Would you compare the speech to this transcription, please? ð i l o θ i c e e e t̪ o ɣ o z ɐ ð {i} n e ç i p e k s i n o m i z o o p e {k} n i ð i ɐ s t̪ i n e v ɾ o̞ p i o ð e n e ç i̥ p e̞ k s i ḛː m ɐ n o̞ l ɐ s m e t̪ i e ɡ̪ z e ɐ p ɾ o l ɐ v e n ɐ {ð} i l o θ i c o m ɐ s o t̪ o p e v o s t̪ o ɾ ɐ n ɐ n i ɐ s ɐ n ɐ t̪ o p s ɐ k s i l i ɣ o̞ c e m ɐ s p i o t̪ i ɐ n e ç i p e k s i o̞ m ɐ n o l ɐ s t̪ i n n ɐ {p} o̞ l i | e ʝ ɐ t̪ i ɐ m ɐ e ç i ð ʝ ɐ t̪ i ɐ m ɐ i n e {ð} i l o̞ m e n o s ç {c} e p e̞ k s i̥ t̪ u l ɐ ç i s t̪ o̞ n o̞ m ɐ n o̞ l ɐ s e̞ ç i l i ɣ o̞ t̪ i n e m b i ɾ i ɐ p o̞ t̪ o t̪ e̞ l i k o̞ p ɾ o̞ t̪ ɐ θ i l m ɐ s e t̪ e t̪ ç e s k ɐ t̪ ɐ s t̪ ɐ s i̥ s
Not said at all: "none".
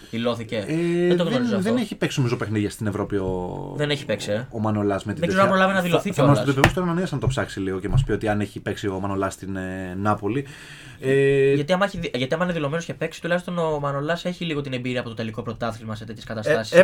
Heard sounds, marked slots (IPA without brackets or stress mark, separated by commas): e, x, ð, p, ð, c